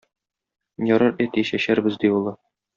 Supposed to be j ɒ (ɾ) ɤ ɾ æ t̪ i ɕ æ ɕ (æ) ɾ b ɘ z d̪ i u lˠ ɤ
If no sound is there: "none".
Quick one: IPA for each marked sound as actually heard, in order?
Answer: ɾ, æ

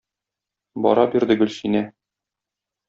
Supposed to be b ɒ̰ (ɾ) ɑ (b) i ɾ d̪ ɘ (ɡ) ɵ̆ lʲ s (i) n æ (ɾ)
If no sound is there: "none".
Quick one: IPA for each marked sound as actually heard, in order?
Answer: ɾ, b, ɡ, i, none

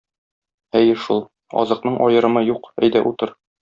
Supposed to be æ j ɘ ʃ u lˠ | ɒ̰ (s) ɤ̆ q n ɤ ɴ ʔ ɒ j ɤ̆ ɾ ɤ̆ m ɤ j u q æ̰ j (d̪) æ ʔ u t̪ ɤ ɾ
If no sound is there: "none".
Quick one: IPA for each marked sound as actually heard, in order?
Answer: z, d̪

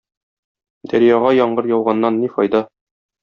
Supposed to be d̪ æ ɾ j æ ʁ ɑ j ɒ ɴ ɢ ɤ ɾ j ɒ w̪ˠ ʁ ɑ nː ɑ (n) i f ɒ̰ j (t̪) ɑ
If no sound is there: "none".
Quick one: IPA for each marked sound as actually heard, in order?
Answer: nː, d̪

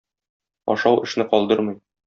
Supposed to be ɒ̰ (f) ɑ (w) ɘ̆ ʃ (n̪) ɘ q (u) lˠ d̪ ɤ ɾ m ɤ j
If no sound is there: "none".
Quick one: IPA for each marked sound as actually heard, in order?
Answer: ʃ, w, n̪, ɒ

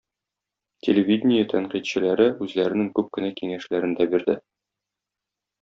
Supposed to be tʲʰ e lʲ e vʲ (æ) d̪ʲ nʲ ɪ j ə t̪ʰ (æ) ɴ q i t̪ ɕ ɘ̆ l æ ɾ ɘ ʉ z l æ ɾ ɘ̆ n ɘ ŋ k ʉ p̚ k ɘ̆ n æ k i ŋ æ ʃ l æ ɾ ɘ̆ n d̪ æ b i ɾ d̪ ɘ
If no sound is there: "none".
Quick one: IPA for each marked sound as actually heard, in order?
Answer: i, æ

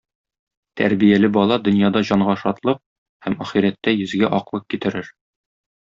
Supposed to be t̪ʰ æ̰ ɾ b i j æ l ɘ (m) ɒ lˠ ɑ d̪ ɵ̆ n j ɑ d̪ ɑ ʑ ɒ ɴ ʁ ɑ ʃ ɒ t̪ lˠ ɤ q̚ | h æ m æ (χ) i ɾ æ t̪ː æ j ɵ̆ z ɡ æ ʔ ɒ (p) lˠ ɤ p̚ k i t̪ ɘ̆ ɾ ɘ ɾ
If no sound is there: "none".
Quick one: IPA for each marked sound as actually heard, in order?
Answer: b, χ, q

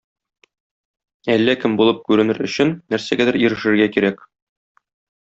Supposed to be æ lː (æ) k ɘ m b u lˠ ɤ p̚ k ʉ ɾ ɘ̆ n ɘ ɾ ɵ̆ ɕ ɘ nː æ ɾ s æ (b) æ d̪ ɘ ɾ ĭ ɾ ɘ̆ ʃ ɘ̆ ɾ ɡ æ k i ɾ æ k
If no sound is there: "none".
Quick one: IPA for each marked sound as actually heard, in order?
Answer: æ, ɡ

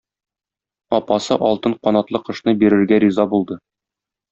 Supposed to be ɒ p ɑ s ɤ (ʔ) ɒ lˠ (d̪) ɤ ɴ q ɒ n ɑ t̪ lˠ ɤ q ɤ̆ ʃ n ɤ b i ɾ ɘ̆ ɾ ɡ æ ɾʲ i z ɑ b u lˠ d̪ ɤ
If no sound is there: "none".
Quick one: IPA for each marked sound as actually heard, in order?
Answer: ʔ, t̪

